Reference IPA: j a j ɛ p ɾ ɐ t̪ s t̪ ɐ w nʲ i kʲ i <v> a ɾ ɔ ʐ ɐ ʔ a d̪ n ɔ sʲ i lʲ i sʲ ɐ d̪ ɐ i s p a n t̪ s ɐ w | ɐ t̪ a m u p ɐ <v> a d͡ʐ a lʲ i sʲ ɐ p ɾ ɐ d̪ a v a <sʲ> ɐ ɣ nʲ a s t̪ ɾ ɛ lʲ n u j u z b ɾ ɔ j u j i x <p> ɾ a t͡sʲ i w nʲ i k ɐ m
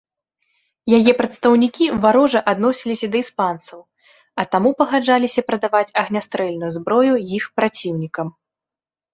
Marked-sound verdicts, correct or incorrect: correct, incorrect, incorrect, correct

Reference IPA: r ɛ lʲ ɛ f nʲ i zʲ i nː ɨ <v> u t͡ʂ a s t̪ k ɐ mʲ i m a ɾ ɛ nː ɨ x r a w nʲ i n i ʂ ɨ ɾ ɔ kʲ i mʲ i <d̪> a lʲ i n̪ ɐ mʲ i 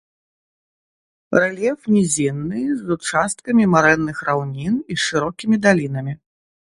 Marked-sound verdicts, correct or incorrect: incorrect, correct

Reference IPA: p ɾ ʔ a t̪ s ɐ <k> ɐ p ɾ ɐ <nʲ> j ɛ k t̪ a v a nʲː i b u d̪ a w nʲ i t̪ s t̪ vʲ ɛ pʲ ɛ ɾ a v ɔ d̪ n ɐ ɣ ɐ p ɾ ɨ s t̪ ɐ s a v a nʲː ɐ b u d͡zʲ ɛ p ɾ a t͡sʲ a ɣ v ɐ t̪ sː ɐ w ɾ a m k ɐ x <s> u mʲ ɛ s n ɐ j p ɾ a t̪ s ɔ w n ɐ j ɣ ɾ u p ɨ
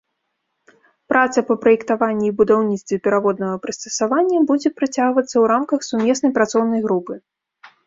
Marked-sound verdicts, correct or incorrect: incorrect, incorrect, correct

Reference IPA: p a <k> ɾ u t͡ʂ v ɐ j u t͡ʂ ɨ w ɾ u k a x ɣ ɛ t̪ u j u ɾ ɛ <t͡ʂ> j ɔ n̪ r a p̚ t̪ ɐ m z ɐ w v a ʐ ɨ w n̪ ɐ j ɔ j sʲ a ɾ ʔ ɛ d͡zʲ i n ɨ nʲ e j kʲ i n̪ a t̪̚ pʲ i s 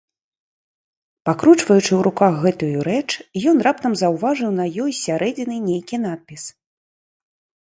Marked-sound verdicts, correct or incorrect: correct, correct

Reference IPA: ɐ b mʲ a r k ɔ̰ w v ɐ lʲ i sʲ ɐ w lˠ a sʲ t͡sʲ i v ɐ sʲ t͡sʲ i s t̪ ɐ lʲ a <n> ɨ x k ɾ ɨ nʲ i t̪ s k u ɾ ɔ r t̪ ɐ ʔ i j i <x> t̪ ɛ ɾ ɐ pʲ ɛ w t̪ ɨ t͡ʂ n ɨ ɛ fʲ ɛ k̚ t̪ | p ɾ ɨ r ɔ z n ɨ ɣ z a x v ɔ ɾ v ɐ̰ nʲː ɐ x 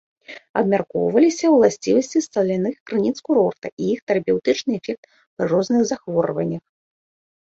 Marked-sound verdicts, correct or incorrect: correct, correct

